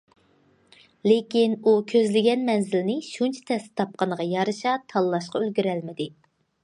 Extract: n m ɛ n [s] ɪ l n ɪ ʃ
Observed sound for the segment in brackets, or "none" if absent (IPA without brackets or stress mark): z